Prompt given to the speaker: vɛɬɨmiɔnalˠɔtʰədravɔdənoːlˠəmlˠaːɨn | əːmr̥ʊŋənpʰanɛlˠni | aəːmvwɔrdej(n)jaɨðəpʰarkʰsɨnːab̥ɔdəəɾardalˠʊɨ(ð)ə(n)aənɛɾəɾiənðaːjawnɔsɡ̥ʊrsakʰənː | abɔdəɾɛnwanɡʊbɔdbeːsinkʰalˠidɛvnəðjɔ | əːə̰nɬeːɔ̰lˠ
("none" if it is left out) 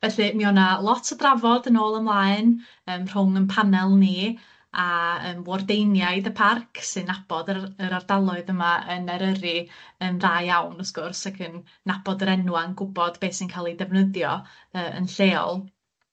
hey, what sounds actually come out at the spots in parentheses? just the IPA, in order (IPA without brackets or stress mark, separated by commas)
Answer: n, ð, m